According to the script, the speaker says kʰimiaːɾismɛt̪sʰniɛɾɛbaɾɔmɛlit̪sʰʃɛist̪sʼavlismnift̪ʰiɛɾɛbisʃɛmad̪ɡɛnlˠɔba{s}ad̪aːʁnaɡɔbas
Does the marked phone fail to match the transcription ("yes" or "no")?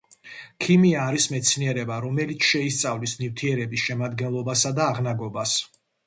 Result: no